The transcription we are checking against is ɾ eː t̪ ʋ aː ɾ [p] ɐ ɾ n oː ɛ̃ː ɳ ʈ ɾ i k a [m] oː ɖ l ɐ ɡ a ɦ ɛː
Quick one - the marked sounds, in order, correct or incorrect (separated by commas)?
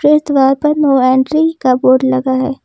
correct, incorrect